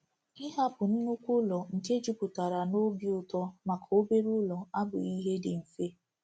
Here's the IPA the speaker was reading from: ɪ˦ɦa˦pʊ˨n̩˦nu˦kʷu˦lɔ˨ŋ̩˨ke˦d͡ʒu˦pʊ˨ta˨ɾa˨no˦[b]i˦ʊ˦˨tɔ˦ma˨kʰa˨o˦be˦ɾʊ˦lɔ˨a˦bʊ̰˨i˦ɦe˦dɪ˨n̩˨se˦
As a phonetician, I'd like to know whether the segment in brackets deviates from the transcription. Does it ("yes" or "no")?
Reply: no